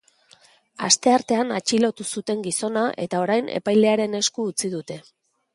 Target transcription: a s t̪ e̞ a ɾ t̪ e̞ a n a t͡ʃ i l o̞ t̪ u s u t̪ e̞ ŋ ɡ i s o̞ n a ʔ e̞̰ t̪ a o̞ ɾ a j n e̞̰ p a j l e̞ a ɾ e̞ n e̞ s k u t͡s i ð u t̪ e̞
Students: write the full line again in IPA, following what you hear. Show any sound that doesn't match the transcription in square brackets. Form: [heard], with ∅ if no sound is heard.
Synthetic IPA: a s t̪ e̞ a ɾ t̪ e̞ a n a t͡ʃ i l o̞ t̪ u s u t̪ e̞ ŋ ɡ i s o̞ n a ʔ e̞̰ t̪ a o̞ ɾ a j n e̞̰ p a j l e̞ a ɾ e̞ n e̞ s k [uː] t͡s i ð u t̪ e̞